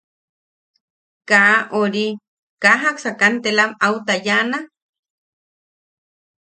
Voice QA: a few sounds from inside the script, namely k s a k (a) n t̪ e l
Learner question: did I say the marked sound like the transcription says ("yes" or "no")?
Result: yes